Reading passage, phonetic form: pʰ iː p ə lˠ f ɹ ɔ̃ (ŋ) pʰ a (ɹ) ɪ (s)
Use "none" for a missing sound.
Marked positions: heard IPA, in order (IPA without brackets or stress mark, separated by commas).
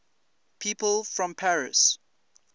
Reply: m, ɹ, s